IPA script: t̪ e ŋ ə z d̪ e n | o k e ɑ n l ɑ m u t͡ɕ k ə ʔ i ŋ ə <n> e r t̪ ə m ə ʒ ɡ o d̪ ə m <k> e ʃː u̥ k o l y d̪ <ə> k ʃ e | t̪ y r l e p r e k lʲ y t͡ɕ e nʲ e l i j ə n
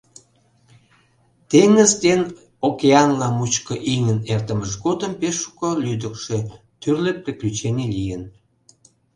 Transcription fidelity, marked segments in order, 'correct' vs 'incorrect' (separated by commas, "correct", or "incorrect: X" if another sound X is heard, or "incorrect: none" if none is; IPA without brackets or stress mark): correct, incorrect: p, correct